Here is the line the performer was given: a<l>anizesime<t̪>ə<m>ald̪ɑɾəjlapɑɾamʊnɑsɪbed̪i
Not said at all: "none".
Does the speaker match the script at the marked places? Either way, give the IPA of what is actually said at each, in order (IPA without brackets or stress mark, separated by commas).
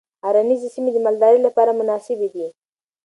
ɾ, d̪, m